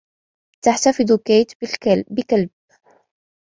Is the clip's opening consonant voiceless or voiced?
voiceless